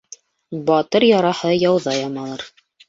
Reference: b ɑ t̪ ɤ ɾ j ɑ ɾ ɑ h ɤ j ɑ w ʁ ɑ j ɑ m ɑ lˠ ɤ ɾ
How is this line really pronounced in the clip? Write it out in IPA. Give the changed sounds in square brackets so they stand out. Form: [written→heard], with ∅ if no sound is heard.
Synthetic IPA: b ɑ t̪ ɤ ɾ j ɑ ɾ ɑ h ɤ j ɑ w [ʁ→ð] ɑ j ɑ m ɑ lˠ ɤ ɾ

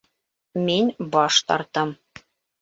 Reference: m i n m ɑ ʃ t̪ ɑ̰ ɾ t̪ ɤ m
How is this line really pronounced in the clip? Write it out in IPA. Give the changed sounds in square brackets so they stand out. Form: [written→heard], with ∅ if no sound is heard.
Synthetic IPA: m i n [m→b] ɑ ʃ t̪ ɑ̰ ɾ t̪ ɤ m

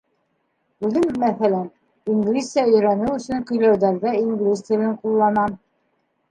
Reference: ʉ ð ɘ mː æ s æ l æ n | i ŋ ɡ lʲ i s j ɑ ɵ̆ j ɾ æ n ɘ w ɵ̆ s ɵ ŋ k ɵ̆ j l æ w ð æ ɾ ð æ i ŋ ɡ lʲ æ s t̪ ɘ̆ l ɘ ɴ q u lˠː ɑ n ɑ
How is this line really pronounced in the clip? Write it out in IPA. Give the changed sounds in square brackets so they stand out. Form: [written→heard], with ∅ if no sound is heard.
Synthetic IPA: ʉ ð ɘ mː æ [s→θ] æ l æ n | i ŋ ɡ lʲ i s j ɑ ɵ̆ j ɾ æ n ɘ w ɵ̆ s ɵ ŋ k ɵ̆ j l æ w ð æ ɾ ð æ i ŋ ɡ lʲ [æ→i] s t̪ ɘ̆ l ɘ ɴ q u lˠː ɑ n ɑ

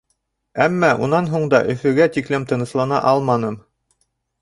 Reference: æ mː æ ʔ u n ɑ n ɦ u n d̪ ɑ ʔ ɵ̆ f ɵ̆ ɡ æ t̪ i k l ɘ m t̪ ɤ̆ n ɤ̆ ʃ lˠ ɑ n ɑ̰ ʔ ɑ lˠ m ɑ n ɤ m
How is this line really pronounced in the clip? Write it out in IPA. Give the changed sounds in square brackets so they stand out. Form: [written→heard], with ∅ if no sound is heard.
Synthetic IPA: æ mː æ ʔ u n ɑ n ɦ u [n→ɴ] d̪ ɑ ʔ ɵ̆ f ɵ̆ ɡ æ t̪ i k l ɘ m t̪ ɤ̆ n ɤ̆ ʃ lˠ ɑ n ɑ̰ ʔ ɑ lˠ m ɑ n ɤ m

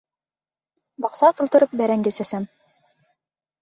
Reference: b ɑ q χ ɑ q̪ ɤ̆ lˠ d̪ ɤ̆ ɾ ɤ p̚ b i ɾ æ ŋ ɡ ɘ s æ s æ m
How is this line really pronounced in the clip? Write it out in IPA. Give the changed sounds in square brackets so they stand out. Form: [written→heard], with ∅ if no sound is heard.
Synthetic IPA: b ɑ q [χ→s] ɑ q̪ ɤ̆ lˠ [d̪→t̪] ɤ̆ ɾ ɤ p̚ b [i→æ] ɾ æ ŋ ɡ ɘ s æ s æ m

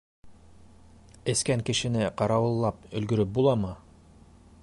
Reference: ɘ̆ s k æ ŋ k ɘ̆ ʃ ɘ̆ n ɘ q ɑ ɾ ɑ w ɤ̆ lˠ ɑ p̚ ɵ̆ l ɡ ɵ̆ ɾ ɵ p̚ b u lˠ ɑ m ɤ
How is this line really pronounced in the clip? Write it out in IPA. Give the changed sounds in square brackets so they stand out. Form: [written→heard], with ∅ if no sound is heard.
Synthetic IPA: ɘ̆ s k æ ŋ k ɘ̆ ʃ ɘ̆ n ɘ q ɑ ɾ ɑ w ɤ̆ [lˠ→lˠː] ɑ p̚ ɵ̆ l ɡ ɵ̆ ɾ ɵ p̚ b u lˠ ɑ m ɤ

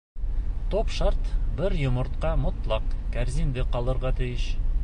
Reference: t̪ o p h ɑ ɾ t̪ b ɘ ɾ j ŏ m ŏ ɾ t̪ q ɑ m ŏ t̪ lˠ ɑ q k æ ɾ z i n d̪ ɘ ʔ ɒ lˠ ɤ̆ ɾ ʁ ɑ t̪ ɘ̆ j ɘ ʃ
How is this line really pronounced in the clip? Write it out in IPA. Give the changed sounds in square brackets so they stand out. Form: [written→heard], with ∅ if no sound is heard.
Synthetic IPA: t̪ o p [h→ʃ] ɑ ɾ t̪ b ɘ ɾ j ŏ m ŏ ɾ t̪ q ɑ m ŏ t̪ lˠ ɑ q k æ ɾ z i n d̪ ɘ [ʔ→q] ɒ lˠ ɤ̆ ɾ ʁ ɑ t̪ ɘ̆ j ɘ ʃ

